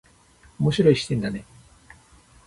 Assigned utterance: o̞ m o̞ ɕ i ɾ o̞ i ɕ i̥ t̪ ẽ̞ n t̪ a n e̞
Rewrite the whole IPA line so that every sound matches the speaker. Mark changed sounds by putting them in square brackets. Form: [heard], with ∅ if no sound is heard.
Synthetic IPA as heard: o̞ m o̞ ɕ i ɾ o̞ i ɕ i̥ t̪ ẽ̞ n [d̪] a n e̞